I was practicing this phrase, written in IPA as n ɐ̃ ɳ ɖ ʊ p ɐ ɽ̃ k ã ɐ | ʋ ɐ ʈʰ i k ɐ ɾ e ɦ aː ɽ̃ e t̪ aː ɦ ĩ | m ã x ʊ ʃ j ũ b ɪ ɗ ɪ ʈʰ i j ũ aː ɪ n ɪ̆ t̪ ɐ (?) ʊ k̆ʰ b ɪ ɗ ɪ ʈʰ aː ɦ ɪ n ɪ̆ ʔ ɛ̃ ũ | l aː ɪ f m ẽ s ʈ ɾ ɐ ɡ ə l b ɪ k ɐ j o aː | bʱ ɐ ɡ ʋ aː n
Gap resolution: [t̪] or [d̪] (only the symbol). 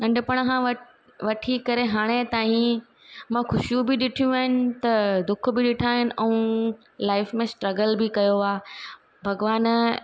d̪